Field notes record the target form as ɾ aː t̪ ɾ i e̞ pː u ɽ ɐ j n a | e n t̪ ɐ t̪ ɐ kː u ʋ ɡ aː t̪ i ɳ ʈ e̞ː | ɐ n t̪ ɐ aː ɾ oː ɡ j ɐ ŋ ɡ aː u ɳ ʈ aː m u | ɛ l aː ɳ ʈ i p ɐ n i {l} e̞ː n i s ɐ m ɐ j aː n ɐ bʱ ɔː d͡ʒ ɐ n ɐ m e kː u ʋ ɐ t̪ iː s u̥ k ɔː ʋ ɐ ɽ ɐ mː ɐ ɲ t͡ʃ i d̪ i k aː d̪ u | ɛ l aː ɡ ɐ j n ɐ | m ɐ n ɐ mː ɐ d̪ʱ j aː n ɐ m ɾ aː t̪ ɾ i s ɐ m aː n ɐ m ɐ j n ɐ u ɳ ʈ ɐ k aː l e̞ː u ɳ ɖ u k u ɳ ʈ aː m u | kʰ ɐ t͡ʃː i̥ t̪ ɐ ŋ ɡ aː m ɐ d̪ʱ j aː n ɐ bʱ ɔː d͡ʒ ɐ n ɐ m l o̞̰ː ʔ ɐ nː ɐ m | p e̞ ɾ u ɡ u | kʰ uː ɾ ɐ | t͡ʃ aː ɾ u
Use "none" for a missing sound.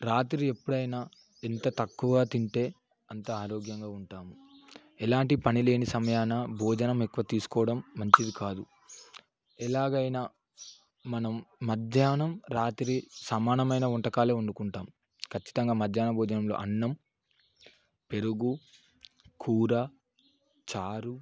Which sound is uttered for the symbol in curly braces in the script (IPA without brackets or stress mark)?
l